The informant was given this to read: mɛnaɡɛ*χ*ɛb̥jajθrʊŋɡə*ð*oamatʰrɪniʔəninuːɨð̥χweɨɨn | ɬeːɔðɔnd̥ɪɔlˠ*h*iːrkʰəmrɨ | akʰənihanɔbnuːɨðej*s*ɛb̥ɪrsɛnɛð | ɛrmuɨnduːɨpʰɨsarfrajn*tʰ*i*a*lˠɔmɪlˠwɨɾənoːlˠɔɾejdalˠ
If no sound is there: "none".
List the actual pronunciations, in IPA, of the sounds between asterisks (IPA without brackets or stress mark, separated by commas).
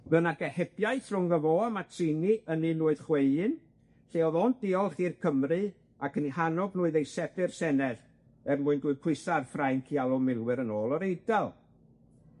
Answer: h, v, χ, s, kʰ, a